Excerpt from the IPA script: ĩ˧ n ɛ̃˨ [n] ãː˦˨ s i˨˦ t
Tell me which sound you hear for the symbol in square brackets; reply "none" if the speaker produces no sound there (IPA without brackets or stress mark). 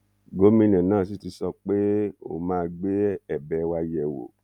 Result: n